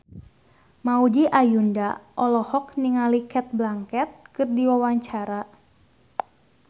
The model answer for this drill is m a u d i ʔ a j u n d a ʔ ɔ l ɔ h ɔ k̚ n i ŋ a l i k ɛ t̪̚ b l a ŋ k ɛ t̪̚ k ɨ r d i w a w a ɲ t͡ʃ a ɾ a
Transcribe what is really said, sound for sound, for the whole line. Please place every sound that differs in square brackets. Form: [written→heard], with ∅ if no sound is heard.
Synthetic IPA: m a u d i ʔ a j u n d a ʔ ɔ l ɔ h ɔ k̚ n i ŋ a l i k ɛ t̪̚ b l a ŋ k ɛ t̪̚ k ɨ r d i w a w a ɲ t͡ʃ a ɾ a